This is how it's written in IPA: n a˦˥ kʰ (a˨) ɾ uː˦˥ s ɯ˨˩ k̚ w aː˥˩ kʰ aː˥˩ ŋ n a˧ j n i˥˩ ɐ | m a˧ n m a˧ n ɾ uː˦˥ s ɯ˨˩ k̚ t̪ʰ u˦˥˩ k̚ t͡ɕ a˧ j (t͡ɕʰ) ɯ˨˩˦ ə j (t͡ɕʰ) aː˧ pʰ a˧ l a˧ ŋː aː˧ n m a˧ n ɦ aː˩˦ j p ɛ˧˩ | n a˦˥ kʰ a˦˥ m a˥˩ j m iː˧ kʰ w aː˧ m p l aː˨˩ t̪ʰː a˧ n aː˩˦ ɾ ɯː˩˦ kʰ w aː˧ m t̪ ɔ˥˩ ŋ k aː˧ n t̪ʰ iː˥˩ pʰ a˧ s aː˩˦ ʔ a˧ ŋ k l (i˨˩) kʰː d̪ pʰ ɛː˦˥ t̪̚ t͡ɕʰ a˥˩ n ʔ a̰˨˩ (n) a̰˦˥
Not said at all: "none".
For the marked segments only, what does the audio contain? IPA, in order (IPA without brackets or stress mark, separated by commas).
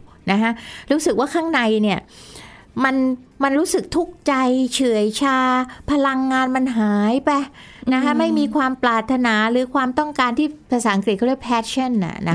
a˦˥, t͡ɕʰ, t͡ɕʰ, i˨˩, n